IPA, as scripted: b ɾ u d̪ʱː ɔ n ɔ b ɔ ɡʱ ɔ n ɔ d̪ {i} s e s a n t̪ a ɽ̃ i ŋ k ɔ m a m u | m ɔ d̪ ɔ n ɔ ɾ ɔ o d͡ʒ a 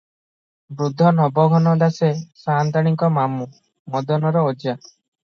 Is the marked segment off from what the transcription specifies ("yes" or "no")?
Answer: yes